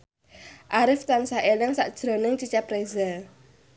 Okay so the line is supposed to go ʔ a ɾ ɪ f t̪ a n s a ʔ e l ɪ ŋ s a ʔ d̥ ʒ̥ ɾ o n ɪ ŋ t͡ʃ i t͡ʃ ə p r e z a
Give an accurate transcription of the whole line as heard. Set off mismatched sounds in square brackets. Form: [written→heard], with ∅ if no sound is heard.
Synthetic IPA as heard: ʔ a ɾ ɪ f t̪ a n s a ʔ e l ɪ ŋ s a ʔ d̥ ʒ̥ ɾ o n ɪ ŋ t͡ʃ i t͡ʃ [ə→a] p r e z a